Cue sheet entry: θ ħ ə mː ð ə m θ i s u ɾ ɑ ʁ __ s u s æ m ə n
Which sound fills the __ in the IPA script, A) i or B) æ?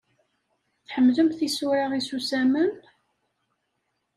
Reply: A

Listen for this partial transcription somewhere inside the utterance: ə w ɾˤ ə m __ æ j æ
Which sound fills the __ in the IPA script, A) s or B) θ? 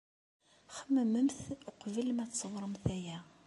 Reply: B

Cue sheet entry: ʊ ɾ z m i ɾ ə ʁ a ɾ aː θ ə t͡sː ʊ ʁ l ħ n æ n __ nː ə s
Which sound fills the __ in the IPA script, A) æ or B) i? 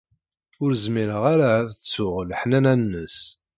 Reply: A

